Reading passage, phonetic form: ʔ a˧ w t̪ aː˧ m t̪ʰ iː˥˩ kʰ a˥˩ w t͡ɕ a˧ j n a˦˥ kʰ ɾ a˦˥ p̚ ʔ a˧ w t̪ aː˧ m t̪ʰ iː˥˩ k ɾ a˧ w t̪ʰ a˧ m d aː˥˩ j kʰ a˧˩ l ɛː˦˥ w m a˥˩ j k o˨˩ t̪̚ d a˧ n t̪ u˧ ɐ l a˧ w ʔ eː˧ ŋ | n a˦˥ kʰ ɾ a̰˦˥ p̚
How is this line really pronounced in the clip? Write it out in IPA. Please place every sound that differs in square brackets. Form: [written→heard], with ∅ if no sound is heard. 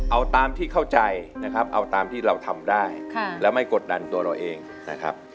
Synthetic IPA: ʔ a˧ w t̪ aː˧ m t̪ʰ iː˥˩ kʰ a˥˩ w t͡ɕ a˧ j n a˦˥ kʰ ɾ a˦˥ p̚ ʔ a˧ w t̪ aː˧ m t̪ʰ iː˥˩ [k→∅] ɾ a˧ w t̪ʰ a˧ m d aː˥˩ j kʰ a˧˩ l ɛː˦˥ w m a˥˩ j k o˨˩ t̪̚ d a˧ n t̪ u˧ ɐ [l→ɾ] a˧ w ʔ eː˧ ŋ | n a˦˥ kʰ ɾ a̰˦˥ p̚